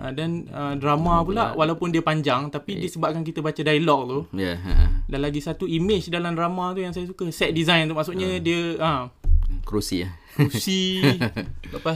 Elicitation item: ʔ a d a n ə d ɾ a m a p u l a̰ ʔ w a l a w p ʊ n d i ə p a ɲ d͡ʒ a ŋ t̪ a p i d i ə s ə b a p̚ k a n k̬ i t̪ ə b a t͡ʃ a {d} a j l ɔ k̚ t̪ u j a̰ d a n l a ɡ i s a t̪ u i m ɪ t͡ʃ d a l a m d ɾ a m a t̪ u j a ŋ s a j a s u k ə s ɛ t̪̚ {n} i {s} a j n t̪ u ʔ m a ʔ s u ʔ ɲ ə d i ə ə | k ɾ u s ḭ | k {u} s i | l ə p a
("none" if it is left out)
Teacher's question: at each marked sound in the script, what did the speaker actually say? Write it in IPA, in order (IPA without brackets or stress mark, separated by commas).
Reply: d, d, z, u